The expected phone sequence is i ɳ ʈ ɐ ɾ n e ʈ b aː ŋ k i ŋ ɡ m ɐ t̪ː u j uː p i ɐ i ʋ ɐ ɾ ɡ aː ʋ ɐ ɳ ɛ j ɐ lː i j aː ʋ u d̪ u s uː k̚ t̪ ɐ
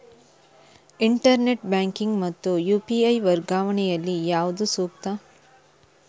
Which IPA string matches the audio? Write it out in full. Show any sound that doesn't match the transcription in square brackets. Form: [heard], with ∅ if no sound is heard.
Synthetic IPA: i ɳ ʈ ɐ ɾ n e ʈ b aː ŋ k i ŋ ɡ m ɐ t̪ː u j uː p i ɐ [j] ʋ ɐ ɾ ɡ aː ʋ ɐ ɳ ɛ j ɐ lː i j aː ʋ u d̪ u s uː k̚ t̪ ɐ